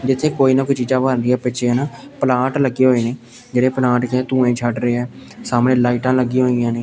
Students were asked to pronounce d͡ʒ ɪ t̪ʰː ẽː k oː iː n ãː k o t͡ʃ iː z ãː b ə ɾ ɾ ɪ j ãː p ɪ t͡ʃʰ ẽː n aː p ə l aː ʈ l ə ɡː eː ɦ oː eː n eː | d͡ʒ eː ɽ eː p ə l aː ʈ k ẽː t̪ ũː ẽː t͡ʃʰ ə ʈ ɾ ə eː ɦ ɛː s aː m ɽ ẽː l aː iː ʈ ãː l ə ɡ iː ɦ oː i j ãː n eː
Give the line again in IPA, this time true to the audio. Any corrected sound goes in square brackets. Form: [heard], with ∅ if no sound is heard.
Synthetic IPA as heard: d͡ʒ ɪ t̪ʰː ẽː k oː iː n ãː k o t͡ʃ iː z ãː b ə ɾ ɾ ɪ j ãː p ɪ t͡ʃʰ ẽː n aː p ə l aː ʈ l ə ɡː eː ɦ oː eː n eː | d͡ʒ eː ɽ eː p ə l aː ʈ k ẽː t̪ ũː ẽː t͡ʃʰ ə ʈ ɾ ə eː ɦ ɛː s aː m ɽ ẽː l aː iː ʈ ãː l ə ɡ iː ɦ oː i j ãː n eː